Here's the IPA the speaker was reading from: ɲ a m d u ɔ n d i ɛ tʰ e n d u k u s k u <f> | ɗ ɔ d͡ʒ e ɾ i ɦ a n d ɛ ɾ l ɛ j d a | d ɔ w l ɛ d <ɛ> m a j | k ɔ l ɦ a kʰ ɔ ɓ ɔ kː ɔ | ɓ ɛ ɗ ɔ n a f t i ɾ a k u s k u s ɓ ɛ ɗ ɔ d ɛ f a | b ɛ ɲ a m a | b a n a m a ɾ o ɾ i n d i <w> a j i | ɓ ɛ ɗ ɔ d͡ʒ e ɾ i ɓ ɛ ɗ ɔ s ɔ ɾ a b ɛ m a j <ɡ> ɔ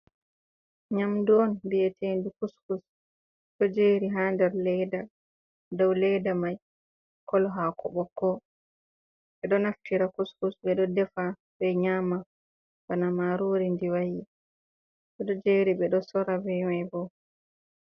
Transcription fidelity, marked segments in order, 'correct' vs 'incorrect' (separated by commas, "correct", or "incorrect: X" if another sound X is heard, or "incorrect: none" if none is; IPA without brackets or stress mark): incorrect: s, incorrect: a, correct, incorrect: b